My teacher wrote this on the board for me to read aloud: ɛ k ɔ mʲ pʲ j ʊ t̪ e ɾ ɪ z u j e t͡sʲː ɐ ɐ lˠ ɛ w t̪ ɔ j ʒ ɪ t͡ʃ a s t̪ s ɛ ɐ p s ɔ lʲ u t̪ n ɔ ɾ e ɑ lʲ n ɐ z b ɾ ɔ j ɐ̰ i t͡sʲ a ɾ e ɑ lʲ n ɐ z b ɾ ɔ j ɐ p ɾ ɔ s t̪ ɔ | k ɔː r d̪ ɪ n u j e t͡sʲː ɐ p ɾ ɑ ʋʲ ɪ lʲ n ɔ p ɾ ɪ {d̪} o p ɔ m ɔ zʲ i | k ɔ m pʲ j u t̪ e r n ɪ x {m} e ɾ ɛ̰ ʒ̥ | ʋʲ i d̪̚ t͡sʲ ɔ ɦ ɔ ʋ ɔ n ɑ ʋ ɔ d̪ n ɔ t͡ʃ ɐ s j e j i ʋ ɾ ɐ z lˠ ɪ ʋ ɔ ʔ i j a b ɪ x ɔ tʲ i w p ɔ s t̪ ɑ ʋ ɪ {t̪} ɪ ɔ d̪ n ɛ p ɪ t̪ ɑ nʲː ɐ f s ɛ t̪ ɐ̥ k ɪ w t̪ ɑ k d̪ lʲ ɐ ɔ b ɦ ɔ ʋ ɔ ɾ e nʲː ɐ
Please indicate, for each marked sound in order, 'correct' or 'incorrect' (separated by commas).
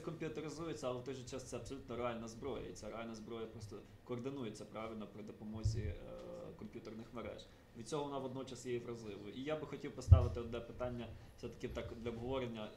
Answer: correct, correct, correct